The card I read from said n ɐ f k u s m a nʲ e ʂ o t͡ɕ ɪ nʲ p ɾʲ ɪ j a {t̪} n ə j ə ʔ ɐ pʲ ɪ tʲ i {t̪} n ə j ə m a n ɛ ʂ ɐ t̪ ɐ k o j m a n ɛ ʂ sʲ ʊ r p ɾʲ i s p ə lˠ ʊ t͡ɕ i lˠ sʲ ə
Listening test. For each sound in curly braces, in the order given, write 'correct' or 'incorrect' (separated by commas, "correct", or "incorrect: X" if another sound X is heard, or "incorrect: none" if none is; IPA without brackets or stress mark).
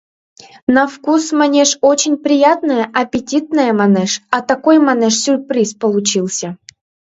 correct, correct